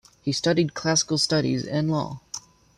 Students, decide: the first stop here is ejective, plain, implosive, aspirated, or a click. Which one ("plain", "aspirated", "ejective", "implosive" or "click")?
plain